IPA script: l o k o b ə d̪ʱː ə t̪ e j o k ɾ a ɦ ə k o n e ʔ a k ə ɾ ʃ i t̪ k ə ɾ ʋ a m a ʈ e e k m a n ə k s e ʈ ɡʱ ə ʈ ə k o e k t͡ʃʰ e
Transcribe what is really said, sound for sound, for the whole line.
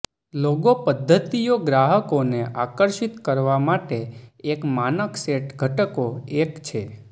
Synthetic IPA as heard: l o ɡ o p ə d̪ʱː ə t̪ i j o ɡ ɾ a ɦ ə k o n e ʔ a k ə ɾ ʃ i t̪ k ə ɾ ʋ a m a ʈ e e k m a n ə k s e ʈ ɡʱ ə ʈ ə k o e k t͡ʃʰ e